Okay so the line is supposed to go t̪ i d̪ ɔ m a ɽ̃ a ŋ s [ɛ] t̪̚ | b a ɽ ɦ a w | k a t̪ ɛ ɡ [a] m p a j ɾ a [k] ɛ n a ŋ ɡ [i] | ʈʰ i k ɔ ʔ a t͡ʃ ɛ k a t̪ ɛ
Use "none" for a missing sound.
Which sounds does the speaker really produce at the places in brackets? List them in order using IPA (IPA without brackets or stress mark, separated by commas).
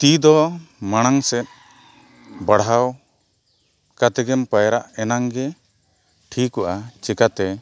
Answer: ɛ, ɛ, ʔ, ɛ